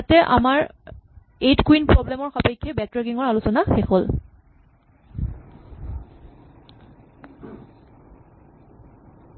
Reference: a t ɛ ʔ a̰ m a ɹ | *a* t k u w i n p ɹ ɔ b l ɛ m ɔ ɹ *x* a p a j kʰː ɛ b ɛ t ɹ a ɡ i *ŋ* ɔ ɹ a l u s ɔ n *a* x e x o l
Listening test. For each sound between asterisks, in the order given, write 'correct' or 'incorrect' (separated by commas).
incorrect, correct, correct, correct